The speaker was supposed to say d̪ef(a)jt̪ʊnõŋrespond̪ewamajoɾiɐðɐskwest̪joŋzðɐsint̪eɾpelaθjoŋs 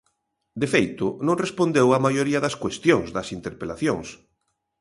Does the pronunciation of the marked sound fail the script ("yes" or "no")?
yes